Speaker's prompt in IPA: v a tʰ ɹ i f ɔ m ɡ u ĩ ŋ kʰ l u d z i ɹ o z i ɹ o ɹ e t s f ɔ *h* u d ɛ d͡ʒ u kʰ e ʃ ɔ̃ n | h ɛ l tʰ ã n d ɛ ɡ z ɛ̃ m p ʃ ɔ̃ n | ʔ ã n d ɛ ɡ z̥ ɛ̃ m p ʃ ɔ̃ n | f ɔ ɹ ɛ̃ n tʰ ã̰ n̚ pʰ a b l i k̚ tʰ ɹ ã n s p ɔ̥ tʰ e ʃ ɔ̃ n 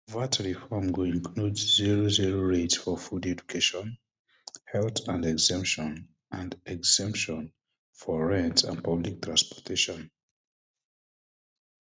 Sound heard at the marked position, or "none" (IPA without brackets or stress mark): f